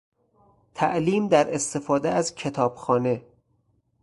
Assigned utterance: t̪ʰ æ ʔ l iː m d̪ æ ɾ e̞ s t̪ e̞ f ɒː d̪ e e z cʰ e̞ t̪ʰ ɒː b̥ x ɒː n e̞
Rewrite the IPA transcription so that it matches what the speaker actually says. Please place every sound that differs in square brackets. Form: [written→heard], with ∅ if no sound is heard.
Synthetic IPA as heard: t̪ʰ æ ʔ l iː m d̪ æ ɾ e̞ s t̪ e̞ f ɒː d̪ e [e→æ] z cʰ e̞ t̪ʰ ɒː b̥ x ɒː n e̞